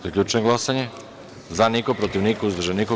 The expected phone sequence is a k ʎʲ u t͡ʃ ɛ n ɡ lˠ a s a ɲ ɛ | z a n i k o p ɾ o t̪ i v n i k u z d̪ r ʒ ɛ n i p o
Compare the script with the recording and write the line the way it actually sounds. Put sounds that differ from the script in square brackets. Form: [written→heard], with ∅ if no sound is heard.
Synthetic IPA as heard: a k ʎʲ u t͡ʃ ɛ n ɡ lˠ a s a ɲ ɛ | z a n i k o p ɾ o t̪ i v n i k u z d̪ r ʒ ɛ n i [p→k] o